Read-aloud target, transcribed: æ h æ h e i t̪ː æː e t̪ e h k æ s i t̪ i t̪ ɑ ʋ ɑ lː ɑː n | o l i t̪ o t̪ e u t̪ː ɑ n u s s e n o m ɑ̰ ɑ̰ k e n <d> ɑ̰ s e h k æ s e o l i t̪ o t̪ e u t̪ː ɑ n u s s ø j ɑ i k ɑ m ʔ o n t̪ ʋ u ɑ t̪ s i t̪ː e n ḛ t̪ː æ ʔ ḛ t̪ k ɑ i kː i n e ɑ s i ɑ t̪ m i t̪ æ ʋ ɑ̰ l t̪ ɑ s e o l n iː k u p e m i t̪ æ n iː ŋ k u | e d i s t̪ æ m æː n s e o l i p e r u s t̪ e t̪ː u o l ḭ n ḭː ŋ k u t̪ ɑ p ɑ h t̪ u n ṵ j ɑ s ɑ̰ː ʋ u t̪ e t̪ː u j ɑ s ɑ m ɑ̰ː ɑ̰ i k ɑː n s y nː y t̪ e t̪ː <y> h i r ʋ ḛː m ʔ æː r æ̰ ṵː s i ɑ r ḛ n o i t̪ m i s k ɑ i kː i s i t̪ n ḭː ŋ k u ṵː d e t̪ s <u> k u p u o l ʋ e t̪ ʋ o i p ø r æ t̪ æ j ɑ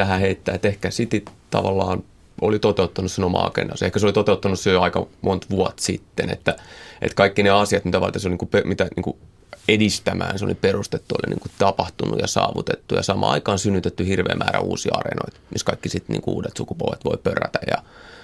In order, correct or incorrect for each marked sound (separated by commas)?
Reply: correct, correct, correct